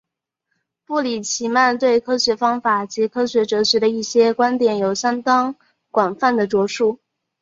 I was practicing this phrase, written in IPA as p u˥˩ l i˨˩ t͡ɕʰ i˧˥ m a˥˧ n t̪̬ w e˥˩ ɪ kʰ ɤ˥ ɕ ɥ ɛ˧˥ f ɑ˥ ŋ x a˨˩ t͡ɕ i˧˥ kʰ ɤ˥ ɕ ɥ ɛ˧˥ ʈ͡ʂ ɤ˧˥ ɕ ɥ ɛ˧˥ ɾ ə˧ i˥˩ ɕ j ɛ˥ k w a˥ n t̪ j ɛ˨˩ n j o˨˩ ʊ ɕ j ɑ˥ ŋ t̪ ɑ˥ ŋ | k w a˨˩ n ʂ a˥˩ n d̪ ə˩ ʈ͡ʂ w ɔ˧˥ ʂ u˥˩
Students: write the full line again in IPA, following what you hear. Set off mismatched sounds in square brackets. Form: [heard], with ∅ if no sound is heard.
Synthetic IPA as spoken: p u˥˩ l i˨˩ t͡ɕʰ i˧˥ m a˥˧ n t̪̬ w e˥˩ ɪ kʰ ɤ˥ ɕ ɥ ɛ˧˥ f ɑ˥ ŋ [f] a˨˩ t͡ɕ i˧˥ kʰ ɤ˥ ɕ ɥ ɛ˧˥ ʈ͡ʂ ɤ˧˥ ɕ ɥ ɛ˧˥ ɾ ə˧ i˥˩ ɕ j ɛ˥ k w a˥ n t̪ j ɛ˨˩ n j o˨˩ ʊ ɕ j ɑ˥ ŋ t̪ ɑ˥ ŋ | k w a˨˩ n [f] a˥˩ n d̪ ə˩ ʈ͡ʂ w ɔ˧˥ ʂ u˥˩